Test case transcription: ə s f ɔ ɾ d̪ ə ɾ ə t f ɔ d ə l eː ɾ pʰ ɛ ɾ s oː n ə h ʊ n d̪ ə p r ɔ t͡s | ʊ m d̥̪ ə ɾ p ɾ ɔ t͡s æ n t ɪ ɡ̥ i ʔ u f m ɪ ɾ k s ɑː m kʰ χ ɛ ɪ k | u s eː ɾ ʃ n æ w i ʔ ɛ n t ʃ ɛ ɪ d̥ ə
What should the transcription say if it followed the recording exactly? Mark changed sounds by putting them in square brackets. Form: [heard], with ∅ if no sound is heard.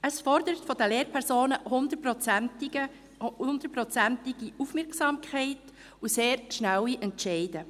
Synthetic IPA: ə s f ɔ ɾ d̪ ə ɾ ə t f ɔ d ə l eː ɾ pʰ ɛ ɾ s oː n ə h ʊ n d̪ ə p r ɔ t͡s | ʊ [n] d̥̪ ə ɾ p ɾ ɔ t͡s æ n t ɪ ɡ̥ i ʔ u f m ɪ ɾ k s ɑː m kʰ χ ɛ ɪ [t] | u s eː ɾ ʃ n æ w i ʔ ɛ n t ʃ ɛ ɪ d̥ ə